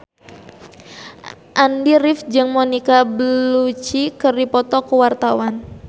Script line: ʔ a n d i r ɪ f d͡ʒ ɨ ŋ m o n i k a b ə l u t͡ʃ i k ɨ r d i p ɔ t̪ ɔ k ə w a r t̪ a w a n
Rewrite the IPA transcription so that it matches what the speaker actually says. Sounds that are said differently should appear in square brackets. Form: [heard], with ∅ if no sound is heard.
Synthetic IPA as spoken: ʔ a n d i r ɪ f d͡ʒ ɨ ŋ m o n i k a b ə l u t͡ʃ i k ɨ r d i p ɔ t̪ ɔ k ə w a r t̪ a w a n